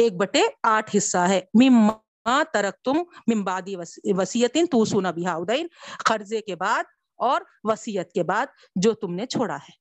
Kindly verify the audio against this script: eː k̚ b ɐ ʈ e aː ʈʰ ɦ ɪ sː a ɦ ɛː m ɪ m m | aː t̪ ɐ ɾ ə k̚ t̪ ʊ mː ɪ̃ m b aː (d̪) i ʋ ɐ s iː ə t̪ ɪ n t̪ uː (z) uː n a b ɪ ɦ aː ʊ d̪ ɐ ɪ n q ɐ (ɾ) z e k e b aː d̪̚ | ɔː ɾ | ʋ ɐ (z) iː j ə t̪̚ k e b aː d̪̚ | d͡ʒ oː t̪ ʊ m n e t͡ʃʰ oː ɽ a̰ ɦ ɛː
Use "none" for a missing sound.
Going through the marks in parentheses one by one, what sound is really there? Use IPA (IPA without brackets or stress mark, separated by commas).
d̪, s, ɾ, s